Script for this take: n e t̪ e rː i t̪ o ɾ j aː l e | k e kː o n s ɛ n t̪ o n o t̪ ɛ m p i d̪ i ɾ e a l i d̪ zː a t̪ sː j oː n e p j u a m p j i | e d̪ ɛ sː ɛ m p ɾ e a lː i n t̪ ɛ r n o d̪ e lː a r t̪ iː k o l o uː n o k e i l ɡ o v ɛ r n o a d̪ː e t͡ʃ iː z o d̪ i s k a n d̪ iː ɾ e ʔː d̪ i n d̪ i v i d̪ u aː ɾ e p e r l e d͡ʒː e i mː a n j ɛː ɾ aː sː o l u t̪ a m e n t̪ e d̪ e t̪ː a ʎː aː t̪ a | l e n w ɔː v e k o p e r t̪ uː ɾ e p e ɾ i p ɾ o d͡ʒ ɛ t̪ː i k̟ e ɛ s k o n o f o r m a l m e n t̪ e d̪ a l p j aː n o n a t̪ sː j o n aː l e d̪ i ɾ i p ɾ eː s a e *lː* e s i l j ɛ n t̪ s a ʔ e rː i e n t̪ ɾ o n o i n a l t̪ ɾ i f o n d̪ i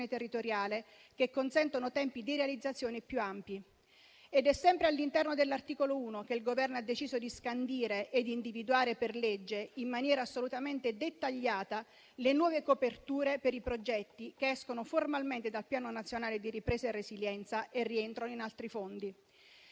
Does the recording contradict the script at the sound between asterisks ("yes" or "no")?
yes